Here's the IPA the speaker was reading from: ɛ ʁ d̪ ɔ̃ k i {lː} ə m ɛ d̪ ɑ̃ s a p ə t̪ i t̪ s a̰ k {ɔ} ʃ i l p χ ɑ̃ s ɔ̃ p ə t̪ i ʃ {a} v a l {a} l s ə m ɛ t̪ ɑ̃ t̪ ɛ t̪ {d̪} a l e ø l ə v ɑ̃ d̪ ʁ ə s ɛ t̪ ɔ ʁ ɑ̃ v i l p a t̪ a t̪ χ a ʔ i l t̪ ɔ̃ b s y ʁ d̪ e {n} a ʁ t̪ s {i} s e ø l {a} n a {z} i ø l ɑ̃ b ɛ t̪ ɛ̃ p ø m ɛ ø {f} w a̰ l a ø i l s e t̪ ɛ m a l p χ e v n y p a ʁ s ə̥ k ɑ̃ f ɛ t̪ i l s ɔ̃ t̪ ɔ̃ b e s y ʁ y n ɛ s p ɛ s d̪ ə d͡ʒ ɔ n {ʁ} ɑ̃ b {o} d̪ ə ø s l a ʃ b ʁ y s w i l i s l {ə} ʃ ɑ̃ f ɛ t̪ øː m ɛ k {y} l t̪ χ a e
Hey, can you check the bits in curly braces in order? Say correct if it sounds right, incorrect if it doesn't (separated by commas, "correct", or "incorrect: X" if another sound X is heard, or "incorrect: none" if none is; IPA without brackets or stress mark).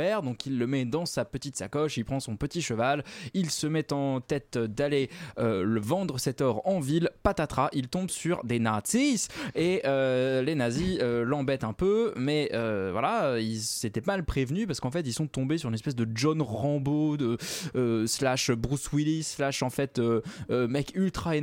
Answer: correct, correct, incorrect: ə, incorrect: i, correct, correct, correct, incorrect: e, correct, incorrect: v, correct, correct, incorrect: a, correct